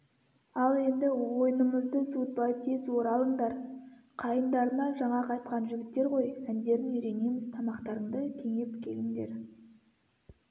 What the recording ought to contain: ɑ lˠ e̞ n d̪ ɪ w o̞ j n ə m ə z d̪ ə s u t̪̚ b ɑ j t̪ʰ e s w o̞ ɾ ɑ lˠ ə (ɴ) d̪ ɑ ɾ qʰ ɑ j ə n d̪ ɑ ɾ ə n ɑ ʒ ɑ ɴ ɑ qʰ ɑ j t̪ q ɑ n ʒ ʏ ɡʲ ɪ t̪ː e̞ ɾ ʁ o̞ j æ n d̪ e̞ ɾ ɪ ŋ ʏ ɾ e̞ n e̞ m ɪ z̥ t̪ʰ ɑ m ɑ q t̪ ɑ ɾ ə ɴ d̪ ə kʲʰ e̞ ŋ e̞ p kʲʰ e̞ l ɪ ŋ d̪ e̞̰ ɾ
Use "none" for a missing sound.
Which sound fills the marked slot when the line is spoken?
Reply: ɴ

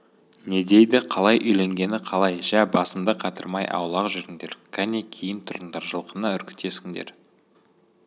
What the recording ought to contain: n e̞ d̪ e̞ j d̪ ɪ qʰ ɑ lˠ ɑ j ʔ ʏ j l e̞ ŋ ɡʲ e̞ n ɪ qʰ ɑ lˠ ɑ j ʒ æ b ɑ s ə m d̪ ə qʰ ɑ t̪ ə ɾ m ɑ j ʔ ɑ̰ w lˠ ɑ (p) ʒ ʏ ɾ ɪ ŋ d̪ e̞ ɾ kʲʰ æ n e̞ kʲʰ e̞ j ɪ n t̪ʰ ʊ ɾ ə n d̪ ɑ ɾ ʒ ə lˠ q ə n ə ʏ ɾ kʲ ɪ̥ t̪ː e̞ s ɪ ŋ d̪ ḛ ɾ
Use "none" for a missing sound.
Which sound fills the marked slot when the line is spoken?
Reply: q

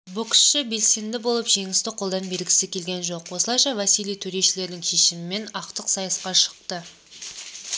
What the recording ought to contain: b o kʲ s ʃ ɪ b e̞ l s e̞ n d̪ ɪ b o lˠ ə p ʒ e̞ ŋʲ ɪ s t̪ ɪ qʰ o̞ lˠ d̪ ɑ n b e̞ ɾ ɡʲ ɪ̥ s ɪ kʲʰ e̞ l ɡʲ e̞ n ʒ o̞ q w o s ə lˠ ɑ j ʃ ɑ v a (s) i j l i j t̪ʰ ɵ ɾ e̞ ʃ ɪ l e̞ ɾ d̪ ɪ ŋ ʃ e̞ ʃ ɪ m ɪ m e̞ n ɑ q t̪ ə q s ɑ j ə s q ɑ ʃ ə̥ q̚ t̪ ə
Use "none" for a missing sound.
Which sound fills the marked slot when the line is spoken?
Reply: s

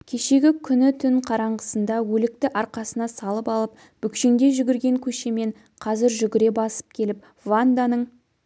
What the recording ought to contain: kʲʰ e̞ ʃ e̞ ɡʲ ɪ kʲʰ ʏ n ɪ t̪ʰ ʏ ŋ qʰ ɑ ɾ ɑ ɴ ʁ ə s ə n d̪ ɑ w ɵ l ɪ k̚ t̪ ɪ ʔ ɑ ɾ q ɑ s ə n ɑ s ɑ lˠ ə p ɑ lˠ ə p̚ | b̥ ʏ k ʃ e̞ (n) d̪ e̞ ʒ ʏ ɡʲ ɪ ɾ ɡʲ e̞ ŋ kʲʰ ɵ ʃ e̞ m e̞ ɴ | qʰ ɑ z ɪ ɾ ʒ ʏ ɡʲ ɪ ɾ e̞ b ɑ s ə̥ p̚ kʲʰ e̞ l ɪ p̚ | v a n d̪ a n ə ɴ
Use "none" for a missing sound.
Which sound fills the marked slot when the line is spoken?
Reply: ŋ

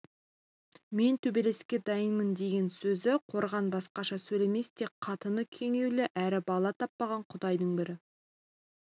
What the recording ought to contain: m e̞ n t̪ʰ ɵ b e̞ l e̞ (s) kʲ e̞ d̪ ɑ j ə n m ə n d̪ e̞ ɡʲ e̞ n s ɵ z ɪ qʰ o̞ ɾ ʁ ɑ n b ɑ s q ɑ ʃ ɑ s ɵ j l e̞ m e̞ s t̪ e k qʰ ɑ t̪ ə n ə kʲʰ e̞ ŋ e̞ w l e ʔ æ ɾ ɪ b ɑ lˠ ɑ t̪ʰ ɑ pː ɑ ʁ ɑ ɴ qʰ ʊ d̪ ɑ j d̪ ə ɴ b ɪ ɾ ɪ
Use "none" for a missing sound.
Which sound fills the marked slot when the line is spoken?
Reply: s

